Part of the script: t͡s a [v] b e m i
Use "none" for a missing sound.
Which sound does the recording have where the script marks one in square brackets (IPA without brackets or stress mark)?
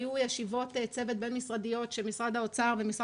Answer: ʁ